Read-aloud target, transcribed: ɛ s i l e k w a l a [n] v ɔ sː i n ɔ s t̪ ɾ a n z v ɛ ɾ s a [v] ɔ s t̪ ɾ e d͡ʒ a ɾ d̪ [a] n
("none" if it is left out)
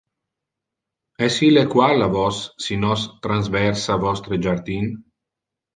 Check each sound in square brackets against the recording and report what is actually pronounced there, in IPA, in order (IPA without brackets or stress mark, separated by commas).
none, v, i